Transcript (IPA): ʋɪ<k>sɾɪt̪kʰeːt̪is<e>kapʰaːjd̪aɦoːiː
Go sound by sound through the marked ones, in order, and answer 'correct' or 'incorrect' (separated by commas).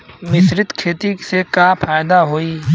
incorrect, correct